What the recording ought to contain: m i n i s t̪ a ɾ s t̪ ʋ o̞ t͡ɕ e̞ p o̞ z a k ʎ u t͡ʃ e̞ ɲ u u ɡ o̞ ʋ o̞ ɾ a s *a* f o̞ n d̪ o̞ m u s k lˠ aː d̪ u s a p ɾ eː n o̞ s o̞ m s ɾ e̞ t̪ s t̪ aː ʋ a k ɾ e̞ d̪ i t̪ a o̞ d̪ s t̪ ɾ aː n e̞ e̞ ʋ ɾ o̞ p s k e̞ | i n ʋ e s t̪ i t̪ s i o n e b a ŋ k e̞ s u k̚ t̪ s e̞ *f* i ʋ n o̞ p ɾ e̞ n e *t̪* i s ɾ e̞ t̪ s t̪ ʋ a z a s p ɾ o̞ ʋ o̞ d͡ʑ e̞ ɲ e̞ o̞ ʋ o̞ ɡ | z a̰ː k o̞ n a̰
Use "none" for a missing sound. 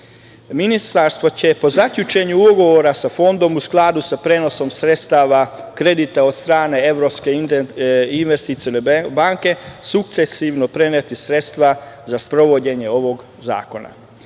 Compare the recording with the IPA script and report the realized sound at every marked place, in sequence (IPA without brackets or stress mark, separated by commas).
a, s, t̪